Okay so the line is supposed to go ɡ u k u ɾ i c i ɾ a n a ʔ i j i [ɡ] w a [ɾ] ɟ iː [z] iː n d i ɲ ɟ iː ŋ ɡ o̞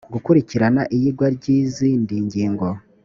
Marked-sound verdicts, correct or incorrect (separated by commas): correct, correct, correct